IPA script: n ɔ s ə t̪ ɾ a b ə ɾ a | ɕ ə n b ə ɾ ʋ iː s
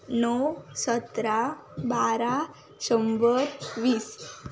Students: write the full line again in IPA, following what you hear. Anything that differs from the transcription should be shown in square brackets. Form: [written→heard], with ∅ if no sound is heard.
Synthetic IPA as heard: n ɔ s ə t̪ ɾ a b [ə→a] ɾ a | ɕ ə [n→m] b ə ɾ ʋ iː s

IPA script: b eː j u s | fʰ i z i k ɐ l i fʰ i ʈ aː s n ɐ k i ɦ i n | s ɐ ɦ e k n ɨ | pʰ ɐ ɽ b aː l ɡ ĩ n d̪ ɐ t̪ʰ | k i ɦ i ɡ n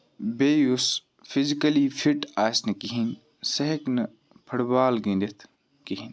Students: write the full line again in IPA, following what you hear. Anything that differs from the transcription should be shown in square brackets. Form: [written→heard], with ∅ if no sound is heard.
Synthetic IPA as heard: b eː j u s | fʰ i z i k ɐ l i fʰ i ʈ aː s n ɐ k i ɦ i n | s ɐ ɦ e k n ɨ | pʰ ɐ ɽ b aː l ɡ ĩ n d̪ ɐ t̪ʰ | k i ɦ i [ɡ→∅] n

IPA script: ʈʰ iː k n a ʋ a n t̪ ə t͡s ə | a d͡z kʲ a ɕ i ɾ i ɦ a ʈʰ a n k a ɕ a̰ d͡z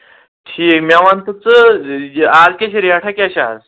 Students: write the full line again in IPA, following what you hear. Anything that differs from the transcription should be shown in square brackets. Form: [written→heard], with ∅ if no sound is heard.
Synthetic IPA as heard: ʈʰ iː k [n→m] a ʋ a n t̪ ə t͡s ə | a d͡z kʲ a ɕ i ɾ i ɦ a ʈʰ a [n→∅] k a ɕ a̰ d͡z

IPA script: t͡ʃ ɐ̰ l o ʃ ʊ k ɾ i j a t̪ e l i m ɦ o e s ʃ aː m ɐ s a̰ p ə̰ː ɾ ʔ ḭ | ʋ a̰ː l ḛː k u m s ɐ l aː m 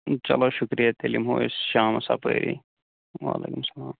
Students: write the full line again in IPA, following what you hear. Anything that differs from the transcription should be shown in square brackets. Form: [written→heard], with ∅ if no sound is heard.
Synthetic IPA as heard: t͡ʃ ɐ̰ l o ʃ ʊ k ɾ i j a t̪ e l i m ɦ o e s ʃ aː m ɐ s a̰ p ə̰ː ɾ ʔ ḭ | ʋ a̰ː l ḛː k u m s ɐ l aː m

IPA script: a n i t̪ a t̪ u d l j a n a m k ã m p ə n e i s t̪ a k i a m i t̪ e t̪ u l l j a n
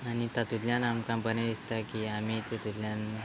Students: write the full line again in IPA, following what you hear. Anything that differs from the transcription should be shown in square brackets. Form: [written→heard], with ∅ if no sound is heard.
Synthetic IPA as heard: a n i t̪ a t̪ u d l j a n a m k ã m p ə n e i s t̪ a k i a m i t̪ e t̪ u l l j a n

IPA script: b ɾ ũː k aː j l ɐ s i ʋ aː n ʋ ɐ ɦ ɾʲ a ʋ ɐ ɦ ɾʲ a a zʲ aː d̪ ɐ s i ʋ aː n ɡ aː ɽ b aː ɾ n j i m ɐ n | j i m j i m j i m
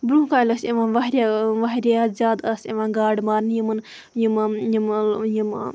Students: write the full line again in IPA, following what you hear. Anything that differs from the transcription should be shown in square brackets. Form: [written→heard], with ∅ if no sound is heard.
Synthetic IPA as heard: b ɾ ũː k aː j l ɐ s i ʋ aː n ʋ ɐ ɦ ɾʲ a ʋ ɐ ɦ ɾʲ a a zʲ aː d̪ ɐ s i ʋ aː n ɡ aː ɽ [b→m] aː ɾ n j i m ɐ n | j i m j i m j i m

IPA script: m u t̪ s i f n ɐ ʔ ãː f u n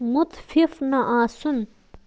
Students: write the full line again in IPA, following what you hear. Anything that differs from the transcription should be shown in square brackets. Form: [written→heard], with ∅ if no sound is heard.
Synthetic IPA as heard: m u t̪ [s→f] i f n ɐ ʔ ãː [f→s] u n

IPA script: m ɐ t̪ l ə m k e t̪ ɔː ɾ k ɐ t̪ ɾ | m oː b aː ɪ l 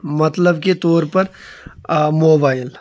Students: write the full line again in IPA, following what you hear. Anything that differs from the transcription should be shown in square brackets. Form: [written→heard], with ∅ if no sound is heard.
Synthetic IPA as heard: m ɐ t̪ l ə [m→b] k e t̪ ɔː ɾ [k→p] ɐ [t̪→∅] ɾ | m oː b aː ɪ l

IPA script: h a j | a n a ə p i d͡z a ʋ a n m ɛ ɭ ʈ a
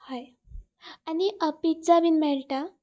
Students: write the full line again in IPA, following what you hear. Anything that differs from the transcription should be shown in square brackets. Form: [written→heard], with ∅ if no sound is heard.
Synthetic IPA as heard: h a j | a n [a→i] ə p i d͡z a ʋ [a→i] n m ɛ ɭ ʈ a

